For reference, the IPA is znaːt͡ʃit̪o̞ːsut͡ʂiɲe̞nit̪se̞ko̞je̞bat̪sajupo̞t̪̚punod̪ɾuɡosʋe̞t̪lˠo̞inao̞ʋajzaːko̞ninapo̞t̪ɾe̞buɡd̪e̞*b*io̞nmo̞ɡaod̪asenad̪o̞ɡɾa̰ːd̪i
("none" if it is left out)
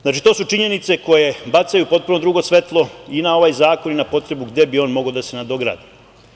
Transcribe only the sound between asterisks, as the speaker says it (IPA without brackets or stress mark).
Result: b